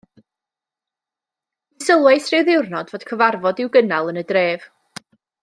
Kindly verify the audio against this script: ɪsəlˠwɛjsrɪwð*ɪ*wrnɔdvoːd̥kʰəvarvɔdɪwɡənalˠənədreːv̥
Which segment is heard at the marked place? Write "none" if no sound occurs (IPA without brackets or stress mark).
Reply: ɪ